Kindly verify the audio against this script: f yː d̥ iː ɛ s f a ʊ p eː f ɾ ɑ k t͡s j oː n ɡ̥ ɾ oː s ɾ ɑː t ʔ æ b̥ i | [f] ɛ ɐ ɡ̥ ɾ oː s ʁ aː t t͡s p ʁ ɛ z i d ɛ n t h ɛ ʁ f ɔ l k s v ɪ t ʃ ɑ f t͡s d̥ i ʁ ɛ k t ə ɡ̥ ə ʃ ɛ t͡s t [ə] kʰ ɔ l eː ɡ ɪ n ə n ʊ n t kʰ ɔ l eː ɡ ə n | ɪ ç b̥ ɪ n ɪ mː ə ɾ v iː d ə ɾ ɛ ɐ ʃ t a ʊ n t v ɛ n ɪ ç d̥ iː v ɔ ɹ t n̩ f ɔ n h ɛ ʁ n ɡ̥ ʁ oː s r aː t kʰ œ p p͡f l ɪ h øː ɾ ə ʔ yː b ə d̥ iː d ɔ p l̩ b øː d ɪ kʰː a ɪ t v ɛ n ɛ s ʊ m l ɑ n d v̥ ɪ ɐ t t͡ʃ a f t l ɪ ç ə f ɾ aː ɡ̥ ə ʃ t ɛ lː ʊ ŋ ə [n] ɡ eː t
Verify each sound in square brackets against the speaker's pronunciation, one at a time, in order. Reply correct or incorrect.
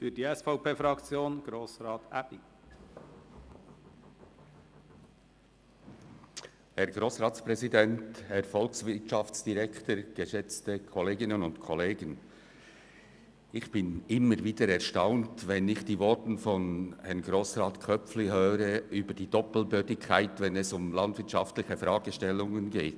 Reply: incorrect, correct, correct

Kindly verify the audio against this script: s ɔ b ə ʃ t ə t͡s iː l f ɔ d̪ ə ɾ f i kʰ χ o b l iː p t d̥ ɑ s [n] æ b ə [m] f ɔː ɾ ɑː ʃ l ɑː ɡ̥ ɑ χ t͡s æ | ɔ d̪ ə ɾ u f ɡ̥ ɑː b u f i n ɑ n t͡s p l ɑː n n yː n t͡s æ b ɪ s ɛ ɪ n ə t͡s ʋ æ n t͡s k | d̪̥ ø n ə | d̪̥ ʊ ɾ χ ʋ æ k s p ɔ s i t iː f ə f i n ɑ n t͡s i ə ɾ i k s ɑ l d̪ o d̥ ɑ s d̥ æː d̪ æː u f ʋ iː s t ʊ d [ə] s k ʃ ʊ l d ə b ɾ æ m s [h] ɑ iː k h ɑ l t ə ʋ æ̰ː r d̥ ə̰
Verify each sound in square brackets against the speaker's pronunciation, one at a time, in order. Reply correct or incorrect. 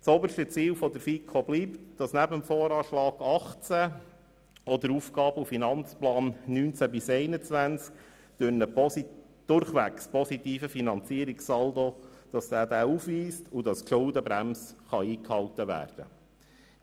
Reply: correct, correct, incorrect, incorrect

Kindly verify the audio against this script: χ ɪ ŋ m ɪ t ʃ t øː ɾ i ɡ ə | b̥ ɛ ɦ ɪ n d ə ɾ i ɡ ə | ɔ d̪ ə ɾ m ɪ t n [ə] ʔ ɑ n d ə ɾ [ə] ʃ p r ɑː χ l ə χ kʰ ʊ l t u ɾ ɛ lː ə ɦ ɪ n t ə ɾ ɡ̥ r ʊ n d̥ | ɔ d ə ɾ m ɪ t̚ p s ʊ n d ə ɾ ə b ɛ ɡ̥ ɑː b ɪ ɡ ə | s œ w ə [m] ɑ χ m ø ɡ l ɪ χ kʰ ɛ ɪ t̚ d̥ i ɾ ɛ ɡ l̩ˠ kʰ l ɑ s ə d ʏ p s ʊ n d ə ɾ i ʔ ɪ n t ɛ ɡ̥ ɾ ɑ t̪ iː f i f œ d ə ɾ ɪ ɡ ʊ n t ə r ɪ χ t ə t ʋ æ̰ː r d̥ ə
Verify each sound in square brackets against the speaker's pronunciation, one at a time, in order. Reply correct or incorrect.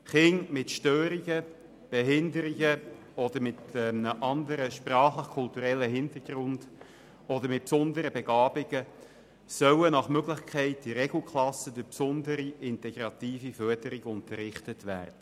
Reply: correct, correct, incorrect

